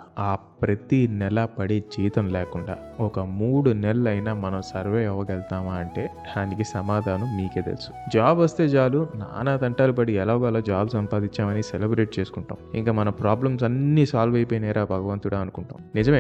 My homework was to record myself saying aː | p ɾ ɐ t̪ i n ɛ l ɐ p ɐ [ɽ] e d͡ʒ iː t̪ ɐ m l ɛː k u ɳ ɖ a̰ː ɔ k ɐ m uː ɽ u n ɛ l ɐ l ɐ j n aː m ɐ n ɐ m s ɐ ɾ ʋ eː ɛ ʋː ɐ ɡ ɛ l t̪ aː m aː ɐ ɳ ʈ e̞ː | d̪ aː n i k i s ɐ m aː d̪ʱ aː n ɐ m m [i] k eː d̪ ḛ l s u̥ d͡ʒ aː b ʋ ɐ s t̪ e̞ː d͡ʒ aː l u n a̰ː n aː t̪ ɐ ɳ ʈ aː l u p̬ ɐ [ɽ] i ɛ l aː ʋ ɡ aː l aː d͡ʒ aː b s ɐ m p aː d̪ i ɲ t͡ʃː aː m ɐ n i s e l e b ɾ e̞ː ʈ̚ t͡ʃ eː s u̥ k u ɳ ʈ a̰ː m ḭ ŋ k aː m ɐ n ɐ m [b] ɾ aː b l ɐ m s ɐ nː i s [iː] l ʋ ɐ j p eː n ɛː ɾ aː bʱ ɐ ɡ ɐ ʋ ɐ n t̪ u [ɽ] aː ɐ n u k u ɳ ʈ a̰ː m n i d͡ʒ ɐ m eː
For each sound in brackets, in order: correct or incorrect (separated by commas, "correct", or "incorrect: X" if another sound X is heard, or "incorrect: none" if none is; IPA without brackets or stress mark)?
correct, incorrect: iː, correct, incorrect: p, incorrect: aː, correct